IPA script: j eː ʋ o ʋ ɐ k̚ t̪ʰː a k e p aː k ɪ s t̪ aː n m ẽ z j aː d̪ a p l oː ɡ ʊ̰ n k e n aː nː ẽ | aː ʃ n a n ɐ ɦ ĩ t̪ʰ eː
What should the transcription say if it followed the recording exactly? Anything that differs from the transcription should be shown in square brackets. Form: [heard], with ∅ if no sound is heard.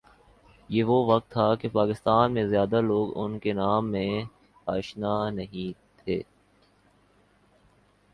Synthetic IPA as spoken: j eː ʋ o ʋ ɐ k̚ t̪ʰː a k e p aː k ɪ s t̪ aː n m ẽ z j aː d̪ a [∅] l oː ɡ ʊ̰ n k e n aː [mː] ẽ | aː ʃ n a n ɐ ɦ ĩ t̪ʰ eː

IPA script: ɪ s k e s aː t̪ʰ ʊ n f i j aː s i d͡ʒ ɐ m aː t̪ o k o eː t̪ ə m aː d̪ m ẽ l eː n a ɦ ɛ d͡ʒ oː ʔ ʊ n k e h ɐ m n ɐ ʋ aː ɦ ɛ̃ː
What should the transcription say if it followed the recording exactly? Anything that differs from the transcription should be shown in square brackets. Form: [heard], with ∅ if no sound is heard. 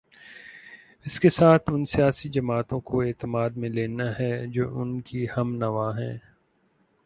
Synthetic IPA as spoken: ɪ s k e s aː t̪ʰ ʊ n [s] i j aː s i d͡ʒ ɐ m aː t̪ [õ] k o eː t̪ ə m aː d̪ m ẽ l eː n a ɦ ɛ d͡ʒ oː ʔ ʊ n k [i] h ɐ m n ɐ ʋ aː ɦ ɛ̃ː

